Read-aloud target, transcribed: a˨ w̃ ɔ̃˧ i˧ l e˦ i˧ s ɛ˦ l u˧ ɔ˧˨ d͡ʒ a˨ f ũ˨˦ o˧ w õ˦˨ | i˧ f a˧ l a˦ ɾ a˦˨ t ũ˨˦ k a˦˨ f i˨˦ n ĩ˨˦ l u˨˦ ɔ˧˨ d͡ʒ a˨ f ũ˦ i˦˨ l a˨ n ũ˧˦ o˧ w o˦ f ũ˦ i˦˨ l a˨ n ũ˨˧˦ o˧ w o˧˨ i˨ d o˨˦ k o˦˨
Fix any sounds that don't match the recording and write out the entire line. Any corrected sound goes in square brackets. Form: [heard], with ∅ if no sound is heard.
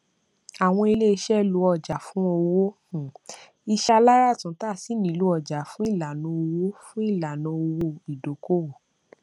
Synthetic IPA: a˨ w̃ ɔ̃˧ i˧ l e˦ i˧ [ʃ] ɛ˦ l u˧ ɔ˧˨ d͡ʒ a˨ f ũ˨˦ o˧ w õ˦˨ | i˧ [ʃ] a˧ l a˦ ɾ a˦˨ t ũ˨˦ [t] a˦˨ [s] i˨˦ n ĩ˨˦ l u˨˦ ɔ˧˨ d͡ʒ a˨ f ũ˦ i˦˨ l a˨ n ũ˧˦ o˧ w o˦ f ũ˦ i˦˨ l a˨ n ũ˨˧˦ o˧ w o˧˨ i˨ d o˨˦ k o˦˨